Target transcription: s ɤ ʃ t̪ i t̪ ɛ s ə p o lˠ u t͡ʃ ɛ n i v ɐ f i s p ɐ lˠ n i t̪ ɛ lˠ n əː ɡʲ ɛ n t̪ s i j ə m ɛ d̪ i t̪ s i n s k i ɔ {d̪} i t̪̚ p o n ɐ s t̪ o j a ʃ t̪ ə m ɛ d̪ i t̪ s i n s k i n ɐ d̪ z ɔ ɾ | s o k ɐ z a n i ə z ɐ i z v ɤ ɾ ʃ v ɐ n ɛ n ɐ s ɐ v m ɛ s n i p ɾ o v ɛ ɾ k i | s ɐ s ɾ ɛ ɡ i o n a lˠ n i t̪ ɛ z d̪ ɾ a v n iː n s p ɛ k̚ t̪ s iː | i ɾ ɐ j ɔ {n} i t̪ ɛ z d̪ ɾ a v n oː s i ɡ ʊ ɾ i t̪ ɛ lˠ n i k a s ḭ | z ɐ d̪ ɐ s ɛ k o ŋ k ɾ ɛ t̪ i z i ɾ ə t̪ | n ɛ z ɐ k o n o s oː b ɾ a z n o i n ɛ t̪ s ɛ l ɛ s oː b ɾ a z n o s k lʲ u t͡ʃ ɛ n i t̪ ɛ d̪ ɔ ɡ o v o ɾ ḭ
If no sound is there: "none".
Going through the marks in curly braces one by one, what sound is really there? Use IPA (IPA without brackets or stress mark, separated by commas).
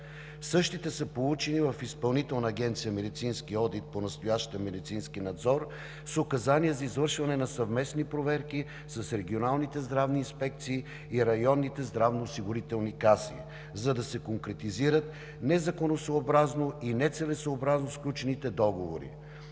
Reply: d̪, nː